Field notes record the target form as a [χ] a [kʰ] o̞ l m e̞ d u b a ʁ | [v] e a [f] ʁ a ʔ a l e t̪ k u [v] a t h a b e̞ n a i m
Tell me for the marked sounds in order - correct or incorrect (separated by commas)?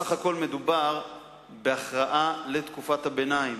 correct, incorrect, incorrect, incorrect, incorrect